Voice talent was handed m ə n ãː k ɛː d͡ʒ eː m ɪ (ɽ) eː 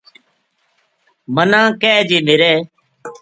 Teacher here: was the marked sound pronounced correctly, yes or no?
no